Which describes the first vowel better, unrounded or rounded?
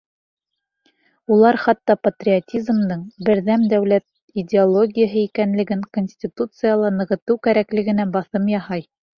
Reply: rounded